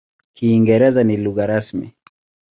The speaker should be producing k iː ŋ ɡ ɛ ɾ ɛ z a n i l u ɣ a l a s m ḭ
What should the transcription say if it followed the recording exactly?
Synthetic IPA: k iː ŋ ɡ ɛ ɾ ɛ z a n i l u ɣ a ɾ a s m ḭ

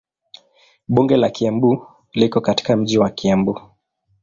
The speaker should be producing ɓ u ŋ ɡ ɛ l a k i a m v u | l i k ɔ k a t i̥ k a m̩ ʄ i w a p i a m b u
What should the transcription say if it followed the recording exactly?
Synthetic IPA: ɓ u ŋ ɡ ɛ l a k i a m b u | l i k ɔ k a t i̥ k a m̩ ʄ i w a k i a m b u

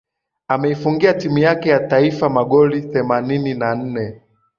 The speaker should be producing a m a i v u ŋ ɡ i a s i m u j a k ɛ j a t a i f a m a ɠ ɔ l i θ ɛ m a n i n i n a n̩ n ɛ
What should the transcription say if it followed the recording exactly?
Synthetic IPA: a m ɛ i f u ŋ ɡ i a t i m u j a k ɛ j a t a i f a m a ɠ ɔ l i θ ɛ m a n i n i n a n̩ n ɛ

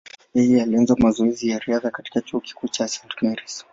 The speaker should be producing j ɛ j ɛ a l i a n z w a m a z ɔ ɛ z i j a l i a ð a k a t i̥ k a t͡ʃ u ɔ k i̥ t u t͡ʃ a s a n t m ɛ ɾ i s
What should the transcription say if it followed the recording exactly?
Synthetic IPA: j ɛ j ɛ a l i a n z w a m a z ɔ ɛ z i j a ɾ i a ð a k a t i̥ k a t͡ʃ u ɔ k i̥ k u t͡ʃ a s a n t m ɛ ɾ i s

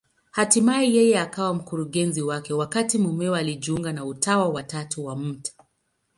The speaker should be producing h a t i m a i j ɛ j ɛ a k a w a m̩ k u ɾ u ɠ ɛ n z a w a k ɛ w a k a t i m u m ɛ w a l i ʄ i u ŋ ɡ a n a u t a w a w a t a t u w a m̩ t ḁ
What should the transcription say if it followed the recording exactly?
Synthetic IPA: h a t i m a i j ɛ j ɛ a k a w a m̩ k u ɾ u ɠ ɛ n z i w a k ɛ w a k a t i m u m ɛ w a l i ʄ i u ŋ ɡ a n a u t a w a w a t a t u w a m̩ t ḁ

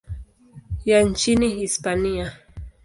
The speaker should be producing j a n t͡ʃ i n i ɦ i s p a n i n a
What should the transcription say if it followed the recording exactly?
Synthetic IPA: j a n t͡ʃ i n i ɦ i s p a n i a

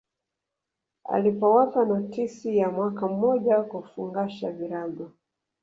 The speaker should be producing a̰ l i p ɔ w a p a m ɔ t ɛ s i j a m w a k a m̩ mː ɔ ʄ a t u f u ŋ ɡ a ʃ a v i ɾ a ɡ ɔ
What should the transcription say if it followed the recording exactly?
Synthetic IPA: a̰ l i p ɔ w a p a n ɔ t i s i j a m w a k a m̩ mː ɔ ʄ a k u f u ŋ ɡ a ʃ a v i ɾ a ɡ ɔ

